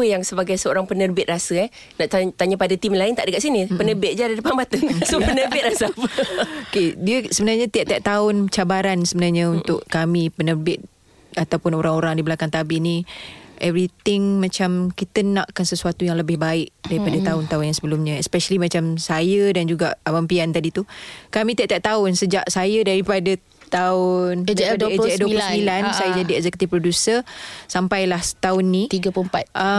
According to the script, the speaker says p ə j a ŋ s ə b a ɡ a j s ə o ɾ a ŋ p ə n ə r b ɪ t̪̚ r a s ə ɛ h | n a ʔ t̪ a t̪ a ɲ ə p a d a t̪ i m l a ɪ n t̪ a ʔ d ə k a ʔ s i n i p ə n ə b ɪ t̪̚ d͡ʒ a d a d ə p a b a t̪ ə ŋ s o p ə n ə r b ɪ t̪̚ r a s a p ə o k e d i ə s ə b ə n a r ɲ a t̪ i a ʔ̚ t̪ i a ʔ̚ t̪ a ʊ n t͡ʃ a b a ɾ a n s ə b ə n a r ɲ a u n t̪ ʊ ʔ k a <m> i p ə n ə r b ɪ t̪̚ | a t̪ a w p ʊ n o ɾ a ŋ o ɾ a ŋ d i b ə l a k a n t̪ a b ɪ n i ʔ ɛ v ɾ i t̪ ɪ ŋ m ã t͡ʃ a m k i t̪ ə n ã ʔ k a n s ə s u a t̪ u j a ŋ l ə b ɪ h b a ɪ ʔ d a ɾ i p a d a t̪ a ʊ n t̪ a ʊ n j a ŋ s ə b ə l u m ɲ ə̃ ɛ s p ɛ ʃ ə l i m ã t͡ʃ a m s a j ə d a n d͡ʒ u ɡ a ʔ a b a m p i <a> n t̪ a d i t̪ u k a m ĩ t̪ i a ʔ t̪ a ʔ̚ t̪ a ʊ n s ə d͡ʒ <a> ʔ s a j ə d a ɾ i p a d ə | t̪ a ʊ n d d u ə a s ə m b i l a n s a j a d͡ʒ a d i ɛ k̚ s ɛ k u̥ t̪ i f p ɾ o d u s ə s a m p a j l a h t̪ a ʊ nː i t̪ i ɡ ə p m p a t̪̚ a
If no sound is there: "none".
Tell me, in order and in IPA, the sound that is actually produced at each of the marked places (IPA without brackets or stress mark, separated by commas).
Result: m, a, a